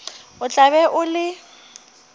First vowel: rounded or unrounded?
rounded